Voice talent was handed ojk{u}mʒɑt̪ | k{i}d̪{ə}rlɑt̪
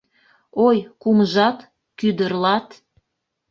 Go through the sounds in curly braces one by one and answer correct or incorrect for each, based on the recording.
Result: correct, incorrect: y, correct

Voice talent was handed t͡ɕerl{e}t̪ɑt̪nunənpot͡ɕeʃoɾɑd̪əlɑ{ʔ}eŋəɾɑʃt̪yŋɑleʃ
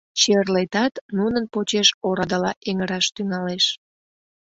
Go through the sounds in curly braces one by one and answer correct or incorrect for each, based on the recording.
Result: correct, correct

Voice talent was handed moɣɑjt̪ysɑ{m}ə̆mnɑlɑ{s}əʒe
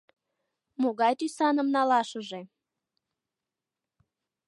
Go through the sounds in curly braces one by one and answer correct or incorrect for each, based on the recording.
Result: incorrect: n, incorrect: ʃ

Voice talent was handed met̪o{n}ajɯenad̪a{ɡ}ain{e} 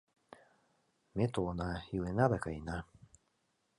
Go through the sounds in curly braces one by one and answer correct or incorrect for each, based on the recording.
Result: correct, incorrect: k, incorrect: a

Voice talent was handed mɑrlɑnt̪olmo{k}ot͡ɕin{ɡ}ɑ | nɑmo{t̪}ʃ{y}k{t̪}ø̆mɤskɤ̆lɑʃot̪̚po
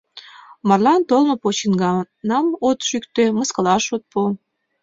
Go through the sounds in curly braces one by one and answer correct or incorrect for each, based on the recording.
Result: incorrect: p, correct, correct, correct, correct

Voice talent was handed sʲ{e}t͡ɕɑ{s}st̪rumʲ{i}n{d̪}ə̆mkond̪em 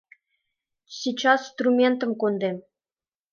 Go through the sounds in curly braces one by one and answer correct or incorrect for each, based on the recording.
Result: incorrect: i, correct, incorrect: e, incorrect: t̪

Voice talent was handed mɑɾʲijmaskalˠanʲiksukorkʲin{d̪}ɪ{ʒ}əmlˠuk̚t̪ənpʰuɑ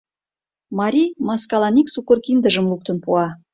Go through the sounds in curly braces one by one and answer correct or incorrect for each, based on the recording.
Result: correct, correct

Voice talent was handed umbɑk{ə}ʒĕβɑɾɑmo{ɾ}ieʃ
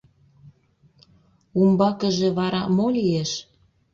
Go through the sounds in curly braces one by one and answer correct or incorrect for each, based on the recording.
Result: correct, incorrect: l

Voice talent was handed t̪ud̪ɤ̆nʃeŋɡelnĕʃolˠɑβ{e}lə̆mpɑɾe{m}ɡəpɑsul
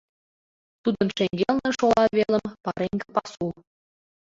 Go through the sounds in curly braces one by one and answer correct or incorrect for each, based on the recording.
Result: correct, incorrect: ŋ

